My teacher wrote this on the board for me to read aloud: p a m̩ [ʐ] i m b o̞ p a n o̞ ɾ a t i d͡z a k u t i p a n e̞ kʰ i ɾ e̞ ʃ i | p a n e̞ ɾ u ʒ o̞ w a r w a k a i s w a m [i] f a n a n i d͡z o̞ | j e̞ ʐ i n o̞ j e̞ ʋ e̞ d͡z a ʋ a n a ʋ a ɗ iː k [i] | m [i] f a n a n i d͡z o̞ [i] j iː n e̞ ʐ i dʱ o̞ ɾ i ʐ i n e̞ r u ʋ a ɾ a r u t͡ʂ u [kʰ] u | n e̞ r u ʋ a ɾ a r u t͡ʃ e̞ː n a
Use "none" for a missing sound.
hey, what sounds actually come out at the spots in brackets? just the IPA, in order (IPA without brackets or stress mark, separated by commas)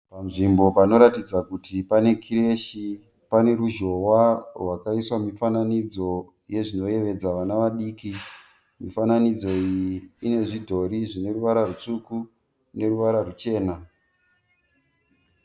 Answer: ʐ, i, i, i, i, k